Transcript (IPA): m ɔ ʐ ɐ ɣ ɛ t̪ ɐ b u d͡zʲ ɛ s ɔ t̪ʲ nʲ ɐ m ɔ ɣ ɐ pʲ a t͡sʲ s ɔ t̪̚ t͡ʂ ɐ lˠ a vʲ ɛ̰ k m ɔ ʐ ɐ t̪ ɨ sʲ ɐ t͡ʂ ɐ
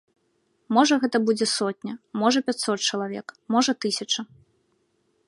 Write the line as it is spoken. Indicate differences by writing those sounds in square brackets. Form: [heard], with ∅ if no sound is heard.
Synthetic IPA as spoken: m ɔ ʐ ɐ ɣ ɛ t̪ ɐ b u d͡zʲ ɛ s ɔ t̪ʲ nʲ ɐ m ɔ [ʐ] ɐ pʲ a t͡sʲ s ɔ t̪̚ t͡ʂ ɐ lˠ a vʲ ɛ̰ k m ɔ ʐ ɐ t̪ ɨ sʲ ɐ t͡ʂ ɐ